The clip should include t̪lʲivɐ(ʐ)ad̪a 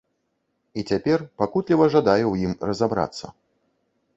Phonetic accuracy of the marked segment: correct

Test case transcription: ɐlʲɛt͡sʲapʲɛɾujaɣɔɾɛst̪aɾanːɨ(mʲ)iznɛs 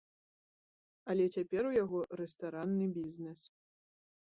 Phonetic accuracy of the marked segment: incorrect: bʲ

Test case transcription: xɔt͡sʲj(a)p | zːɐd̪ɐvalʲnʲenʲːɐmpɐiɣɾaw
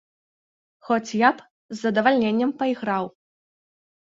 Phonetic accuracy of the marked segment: correct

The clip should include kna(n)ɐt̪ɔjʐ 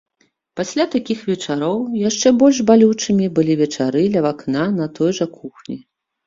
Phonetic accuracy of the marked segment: correct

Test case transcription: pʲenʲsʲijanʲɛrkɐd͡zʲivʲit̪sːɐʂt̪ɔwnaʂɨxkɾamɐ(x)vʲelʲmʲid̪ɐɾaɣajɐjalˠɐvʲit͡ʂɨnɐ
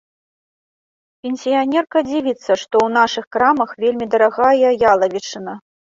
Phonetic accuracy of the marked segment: correct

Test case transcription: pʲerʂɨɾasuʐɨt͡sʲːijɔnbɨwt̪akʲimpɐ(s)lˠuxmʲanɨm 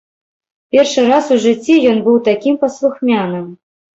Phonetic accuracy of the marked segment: correct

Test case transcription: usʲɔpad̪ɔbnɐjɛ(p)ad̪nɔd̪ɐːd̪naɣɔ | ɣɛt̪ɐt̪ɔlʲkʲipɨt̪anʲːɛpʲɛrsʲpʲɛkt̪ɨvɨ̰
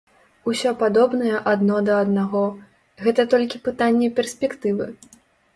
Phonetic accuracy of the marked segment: incorrect: ʔ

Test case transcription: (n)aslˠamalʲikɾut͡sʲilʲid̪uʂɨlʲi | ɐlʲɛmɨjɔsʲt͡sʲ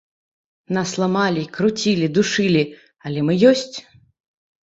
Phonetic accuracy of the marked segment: correct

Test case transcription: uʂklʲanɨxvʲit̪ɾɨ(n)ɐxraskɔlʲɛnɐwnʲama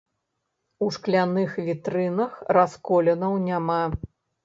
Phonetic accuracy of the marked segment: correct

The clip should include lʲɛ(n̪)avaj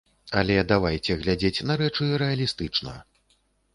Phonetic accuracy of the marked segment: incorrect: d̪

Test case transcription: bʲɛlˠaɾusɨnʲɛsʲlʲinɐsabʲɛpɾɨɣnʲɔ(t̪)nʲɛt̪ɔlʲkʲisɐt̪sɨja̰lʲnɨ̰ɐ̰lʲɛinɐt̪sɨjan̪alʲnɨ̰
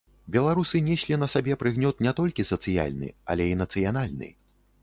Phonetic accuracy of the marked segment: correct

